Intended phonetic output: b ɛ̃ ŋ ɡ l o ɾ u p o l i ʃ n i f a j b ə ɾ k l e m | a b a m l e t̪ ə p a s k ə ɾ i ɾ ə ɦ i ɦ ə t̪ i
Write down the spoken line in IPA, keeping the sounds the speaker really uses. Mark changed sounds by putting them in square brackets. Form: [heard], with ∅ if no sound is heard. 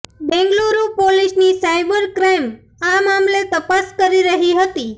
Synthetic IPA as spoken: b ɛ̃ ŋ ɡ l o ɾ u p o l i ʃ n i [s] a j b ə ɾ k [ɾ] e m | a [m] a m l e t̪ ə p a s k ə ɾ i ɾ ə ɦ i ɦ ə t̪ i